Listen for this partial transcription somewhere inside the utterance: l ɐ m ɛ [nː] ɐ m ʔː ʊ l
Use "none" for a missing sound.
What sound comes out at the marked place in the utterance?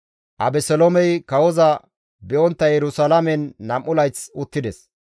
nː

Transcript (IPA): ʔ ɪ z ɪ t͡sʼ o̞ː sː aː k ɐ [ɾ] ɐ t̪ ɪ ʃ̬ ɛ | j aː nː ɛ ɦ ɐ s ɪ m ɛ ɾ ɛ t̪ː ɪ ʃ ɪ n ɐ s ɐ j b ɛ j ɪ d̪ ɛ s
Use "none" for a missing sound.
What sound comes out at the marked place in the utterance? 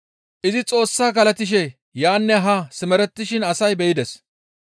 l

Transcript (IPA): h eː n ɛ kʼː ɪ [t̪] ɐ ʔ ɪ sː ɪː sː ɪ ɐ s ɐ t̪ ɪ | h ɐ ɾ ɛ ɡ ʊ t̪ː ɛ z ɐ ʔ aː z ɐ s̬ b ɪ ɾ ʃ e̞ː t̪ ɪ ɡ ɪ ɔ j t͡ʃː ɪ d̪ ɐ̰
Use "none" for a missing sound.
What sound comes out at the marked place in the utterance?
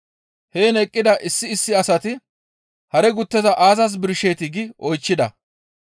d̪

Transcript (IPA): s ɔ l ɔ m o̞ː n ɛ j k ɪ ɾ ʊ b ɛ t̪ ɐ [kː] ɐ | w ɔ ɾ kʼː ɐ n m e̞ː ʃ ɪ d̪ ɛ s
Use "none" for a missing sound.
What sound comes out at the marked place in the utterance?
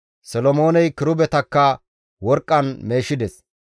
kː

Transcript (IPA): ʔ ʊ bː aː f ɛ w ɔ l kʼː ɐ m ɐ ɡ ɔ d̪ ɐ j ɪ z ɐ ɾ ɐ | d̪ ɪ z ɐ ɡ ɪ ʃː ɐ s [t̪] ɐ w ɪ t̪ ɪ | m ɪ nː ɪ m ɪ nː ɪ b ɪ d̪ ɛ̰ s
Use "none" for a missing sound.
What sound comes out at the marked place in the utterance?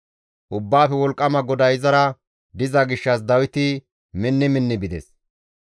d̪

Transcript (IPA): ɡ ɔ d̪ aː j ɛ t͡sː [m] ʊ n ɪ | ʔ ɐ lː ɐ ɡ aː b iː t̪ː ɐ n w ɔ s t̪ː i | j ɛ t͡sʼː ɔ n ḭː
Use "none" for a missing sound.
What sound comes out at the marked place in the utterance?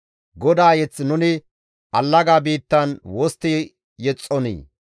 n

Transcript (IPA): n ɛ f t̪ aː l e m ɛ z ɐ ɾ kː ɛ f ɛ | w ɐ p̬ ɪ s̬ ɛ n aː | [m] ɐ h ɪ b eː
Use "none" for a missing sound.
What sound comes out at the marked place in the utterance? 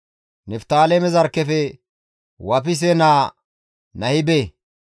n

